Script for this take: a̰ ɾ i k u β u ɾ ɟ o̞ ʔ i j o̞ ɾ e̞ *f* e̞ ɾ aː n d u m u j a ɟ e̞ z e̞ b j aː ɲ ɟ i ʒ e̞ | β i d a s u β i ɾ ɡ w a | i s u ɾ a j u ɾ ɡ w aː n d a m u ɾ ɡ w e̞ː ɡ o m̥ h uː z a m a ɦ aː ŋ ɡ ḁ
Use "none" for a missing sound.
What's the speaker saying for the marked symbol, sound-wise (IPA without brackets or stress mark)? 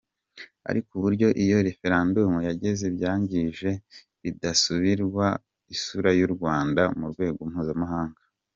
f